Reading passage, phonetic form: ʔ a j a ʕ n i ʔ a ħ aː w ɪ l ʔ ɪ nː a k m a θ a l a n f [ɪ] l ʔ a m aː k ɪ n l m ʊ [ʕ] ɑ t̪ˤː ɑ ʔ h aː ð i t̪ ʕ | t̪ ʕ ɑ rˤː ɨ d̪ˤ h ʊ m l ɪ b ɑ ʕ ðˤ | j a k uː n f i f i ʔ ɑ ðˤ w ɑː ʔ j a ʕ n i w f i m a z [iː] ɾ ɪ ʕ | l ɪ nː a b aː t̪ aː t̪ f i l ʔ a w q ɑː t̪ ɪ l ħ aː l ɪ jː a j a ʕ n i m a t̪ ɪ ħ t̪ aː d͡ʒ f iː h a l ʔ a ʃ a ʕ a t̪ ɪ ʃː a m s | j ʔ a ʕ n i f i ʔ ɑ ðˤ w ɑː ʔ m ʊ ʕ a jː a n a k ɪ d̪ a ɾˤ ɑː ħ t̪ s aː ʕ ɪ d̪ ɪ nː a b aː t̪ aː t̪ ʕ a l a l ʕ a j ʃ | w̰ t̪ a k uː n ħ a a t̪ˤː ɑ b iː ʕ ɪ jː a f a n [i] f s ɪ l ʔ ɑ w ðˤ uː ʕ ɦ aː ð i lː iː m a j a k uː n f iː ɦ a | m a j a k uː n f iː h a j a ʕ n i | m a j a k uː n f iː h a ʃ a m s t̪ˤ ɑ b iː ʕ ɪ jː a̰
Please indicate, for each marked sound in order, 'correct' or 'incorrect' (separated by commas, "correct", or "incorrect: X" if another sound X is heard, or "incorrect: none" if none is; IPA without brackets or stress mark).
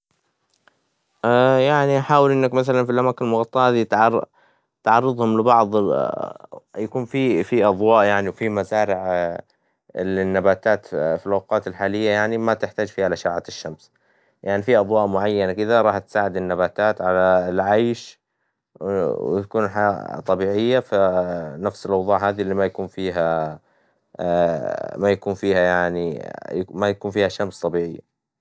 incorrect: i, incorrect: ɣ, incorrect: aː, incorrect: a